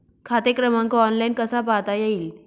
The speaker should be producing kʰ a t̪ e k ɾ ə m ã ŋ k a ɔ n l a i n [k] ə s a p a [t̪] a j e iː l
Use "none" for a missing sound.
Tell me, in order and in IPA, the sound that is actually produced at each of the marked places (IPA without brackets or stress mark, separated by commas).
k, t̪